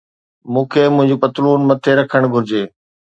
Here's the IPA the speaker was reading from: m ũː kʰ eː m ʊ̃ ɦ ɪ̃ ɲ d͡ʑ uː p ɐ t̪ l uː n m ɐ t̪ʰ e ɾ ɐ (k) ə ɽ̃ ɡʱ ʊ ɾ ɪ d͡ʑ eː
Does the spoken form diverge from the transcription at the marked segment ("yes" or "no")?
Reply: yes